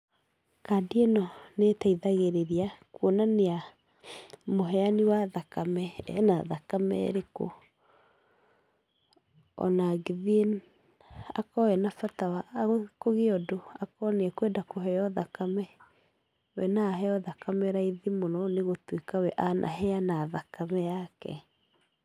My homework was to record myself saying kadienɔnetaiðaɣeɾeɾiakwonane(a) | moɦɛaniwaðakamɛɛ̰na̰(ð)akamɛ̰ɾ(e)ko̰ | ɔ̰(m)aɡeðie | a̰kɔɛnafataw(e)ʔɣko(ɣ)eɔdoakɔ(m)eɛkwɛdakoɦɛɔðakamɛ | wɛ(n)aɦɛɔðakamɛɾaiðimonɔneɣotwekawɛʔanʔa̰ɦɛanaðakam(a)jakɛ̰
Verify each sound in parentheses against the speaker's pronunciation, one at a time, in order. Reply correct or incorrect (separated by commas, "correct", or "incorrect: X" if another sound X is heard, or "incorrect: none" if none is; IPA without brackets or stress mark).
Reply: correct, correct, correct, incorrect: n, incorrect: a, correct, incorrect: n, correct, incorrect: ɛ